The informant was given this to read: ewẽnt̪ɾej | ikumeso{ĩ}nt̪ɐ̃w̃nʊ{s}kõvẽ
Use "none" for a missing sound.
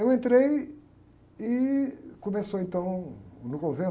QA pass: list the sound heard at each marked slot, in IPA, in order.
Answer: ẽ, none

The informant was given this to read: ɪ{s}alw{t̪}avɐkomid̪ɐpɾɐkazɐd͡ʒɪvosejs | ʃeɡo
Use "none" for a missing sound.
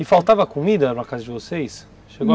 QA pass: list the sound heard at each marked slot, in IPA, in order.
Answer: f, t̪

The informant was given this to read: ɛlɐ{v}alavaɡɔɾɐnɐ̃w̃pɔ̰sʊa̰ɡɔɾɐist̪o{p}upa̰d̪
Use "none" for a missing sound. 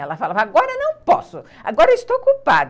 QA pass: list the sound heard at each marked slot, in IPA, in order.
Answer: f, k

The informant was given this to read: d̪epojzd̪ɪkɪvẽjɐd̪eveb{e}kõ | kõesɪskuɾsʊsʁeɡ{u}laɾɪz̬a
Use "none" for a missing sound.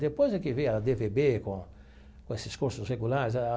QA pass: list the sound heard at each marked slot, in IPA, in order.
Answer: e, u

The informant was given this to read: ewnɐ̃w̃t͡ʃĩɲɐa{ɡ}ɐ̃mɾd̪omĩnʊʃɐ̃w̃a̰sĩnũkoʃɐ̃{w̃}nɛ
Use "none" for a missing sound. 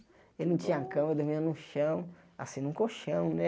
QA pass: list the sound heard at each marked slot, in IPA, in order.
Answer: k, w̃

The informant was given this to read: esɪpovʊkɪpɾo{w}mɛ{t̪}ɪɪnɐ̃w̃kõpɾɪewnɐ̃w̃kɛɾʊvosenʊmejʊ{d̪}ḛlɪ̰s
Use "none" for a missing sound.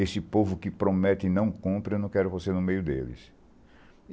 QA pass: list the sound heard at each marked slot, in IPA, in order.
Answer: none, t̪, d̪

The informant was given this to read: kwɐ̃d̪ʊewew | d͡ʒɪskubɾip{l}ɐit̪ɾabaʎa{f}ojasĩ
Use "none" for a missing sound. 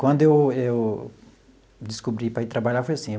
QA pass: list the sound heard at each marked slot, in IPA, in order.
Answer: ɾ, f

